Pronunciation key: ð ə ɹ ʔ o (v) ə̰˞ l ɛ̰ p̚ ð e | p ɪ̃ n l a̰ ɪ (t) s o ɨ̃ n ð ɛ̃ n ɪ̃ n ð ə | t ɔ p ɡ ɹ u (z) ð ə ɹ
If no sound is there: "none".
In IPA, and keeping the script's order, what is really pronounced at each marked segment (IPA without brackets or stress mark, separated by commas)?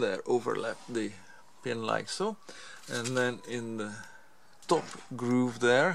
v, k, v